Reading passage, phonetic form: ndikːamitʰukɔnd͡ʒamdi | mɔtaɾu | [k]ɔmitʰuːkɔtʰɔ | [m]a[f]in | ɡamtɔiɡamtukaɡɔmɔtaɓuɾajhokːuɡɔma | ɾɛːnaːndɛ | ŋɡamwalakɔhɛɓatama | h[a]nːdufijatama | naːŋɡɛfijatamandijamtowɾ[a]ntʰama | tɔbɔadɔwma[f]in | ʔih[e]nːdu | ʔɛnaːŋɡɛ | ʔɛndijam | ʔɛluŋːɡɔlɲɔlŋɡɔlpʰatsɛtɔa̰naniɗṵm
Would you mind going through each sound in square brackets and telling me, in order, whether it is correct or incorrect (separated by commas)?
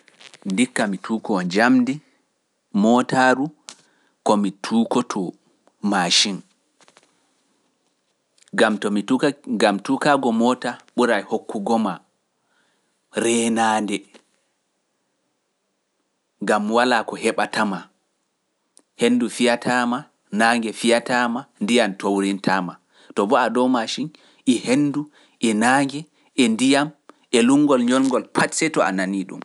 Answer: correct, correct, incorrect, incorrect, incorrect, incorrect, correct